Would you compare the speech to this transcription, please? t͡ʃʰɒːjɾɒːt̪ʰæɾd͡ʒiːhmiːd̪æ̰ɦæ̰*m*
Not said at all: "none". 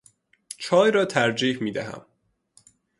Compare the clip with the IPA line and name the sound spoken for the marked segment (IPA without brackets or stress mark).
m